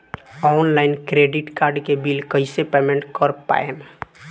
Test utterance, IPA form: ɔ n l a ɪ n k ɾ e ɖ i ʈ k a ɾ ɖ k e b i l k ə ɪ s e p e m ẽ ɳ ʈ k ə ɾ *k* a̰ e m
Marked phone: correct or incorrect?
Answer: incorrect: p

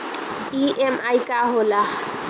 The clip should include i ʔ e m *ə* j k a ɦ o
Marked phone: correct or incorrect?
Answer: incorrect: a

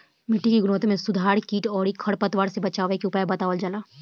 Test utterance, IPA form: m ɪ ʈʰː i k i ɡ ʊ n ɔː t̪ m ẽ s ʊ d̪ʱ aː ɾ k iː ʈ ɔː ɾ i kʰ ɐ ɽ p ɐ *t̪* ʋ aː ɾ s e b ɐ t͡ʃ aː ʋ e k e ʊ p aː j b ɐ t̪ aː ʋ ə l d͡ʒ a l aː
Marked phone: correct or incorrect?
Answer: correct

